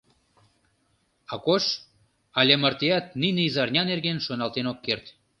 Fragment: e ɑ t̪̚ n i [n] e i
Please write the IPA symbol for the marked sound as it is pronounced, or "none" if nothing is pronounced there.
n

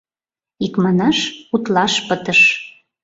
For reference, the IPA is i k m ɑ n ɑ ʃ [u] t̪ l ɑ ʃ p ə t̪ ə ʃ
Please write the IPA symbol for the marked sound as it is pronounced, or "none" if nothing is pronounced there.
u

